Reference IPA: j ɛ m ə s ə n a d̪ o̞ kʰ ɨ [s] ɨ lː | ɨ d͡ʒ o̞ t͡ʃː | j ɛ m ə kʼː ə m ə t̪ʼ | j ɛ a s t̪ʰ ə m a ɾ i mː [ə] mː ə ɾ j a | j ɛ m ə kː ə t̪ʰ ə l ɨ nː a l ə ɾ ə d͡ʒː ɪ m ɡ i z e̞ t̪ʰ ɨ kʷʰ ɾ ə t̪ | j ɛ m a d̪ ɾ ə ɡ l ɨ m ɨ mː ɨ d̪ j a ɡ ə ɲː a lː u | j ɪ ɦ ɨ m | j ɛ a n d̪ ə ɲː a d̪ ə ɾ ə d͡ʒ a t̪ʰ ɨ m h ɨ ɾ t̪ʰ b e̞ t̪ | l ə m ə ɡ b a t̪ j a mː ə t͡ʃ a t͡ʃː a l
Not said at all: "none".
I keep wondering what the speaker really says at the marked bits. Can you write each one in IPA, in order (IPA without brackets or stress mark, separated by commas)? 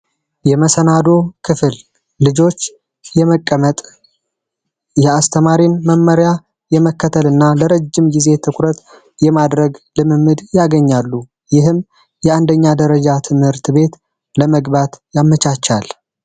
f, ə